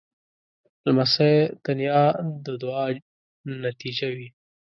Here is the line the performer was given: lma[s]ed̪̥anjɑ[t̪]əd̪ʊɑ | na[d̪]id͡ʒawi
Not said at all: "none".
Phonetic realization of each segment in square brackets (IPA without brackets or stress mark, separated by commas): s, d̪, t̪